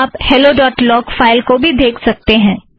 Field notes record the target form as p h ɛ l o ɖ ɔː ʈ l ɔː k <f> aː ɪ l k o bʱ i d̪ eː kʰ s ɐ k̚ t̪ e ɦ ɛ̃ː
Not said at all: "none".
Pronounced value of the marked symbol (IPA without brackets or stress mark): f